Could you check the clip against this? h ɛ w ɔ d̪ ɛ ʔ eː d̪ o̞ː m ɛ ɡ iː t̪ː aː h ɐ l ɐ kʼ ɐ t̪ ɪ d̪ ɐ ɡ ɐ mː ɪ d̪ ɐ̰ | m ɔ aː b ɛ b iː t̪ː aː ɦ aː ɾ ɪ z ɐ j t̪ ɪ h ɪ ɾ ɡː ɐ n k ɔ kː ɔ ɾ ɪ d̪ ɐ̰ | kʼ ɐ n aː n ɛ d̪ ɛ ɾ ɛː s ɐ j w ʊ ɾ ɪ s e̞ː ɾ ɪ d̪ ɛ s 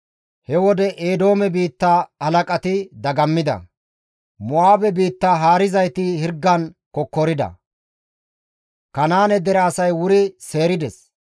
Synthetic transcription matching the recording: h ɛ w ɔ d̪ ɛ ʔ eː d̪ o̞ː m ɛ b iː t̪ː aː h ɐ l ɐ kʼ ɐ t̪ ɪ d̪ ɐ ɡ ɐ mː ɪ d̪ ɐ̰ | m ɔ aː b ɛ b iː t̪ː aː ɦ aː ɾ ɪ z ɐ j t̪ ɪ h ɪ ɾ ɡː ɐ n k ɔ kː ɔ ɾ ɪ d̪ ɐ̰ | k ɐ n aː n ɛ d̪ ɛ ɾ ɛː s ɐ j w ʊ ɾ ɪ s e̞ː ɾ ɪ d̪ ɛ s